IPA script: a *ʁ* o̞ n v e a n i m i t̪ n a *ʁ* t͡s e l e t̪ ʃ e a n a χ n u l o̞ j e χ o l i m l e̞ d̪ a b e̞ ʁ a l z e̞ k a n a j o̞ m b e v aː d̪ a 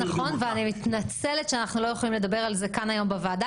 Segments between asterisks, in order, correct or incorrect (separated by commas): incorrect, incorrect